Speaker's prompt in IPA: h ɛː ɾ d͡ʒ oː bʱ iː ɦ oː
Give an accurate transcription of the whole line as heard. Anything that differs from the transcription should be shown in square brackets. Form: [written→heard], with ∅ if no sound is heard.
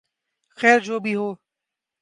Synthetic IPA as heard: [h→x] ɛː ɾ d͡ʒ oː bʱ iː ɦ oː